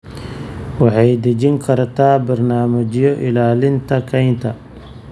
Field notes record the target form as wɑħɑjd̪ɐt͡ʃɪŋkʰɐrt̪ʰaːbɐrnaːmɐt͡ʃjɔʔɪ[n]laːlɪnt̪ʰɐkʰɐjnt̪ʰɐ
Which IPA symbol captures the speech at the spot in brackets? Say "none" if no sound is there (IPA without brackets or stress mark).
none